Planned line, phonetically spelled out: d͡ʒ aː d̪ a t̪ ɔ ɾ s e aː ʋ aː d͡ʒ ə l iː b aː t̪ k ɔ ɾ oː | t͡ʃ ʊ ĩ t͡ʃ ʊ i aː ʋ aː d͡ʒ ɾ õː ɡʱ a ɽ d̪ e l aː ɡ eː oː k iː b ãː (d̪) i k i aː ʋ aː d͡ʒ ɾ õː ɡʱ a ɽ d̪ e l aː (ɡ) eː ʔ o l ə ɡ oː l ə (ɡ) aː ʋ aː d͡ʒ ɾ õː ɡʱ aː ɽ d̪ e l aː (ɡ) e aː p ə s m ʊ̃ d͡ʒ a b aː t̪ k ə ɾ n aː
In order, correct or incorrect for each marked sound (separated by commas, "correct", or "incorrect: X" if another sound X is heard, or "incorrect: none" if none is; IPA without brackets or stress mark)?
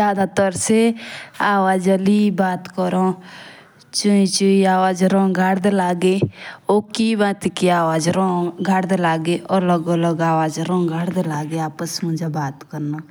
incorrect: t̪, correct, correct, correct